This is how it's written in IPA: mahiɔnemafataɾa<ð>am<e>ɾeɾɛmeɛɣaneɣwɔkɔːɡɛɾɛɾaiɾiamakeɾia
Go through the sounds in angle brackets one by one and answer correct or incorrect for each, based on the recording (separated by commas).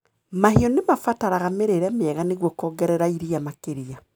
incorrect, correct